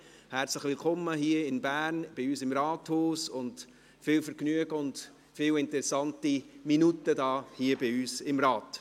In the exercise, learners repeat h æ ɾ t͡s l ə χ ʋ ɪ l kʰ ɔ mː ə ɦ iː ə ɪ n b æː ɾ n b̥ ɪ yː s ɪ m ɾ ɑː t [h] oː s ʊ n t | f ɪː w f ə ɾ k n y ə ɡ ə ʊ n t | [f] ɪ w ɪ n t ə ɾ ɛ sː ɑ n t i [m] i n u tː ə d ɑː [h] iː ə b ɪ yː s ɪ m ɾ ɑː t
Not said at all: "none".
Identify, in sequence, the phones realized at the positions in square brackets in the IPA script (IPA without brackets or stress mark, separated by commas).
h, f, m, h